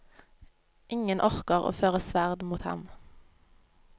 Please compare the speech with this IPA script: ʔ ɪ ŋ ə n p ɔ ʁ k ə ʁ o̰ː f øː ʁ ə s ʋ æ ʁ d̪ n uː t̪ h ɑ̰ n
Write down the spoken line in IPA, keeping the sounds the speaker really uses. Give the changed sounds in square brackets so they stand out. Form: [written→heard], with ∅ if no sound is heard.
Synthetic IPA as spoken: ʔ ɪ ŋ ə n [p→ʔ] ɔ ʁ k ə ʁ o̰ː f øː ʁ ə s ʋ æ ʁ d̪ [n→m] uː t̪ h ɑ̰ [n→m]